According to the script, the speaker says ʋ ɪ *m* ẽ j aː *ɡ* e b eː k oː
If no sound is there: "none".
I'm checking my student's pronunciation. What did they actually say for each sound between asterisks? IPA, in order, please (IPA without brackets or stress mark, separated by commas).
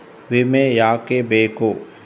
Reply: m, k